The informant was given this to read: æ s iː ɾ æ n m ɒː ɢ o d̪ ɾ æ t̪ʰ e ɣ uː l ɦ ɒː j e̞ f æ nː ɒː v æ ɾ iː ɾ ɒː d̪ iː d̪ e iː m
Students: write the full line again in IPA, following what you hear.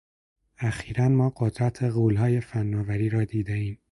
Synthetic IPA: æ x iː ɾ æ n m ɒː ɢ o d̪ ɾ æ t̪ʰ e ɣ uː l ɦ ɒː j e̞ f æ nː ɒː v æ ɾ iː ɾ ɒː d̪ iː d̪ e iː m